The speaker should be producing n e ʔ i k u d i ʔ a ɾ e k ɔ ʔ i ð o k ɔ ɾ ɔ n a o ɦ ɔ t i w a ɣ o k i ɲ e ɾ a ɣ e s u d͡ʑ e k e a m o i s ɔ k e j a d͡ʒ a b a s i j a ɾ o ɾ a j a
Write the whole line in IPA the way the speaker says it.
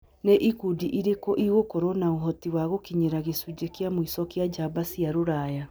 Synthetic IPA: n e ʔ i k u d i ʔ i ɾ e k ɔ ʔ i ɣ o k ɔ ɾ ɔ n a o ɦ ɔ t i w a ɣ o k i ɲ e ɾ a ɣ e s u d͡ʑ e k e a m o i s ɔ k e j a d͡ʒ a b a s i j a ɾ o ɾ a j a